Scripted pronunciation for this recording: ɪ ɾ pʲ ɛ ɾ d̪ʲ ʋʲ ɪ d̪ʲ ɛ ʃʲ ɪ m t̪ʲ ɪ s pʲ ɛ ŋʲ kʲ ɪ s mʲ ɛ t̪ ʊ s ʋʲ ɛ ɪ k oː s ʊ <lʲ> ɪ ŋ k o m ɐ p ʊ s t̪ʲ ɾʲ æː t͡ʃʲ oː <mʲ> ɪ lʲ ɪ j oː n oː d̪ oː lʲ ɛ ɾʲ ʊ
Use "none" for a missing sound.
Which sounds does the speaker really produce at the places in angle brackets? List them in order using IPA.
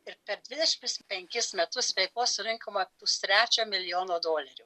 ɾʲ, mʲ

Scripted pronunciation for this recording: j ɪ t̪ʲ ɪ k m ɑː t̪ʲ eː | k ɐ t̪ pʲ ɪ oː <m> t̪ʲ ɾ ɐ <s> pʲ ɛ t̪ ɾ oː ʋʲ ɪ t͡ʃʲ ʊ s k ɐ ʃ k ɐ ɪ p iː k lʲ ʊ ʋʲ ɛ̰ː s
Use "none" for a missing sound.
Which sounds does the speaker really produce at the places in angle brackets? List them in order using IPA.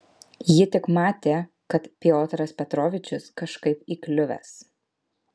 none, s

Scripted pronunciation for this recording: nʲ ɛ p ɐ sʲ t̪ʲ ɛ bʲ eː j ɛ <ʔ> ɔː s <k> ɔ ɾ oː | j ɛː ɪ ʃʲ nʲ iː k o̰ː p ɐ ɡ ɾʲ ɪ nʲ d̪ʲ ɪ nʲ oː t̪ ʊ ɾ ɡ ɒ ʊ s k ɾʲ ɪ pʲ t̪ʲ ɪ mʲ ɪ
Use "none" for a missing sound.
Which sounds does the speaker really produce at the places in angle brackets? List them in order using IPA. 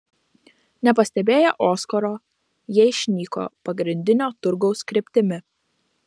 ʔ, k

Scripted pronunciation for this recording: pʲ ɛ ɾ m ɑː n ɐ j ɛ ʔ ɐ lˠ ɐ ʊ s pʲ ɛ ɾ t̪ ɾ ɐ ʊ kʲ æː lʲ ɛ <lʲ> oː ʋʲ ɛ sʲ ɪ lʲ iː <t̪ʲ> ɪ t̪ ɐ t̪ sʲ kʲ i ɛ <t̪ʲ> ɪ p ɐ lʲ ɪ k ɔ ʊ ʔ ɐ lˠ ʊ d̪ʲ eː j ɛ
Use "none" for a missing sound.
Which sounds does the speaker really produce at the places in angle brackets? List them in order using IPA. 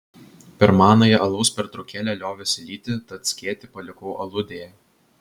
lʲ, t̪ʲ, t̪ʲ

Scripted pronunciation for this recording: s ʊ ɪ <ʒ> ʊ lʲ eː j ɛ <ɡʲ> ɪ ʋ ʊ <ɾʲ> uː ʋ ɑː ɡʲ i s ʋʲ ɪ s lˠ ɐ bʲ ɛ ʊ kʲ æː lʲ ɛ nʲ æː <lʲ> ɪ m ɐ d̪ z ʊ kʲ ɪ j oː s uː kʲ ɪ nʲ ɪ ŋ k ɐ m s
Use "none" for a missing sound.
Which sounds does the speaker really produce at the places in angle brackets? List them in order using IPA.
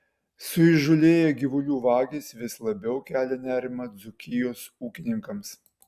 ʒ, ɡʲ, lʲ, ɾʲ

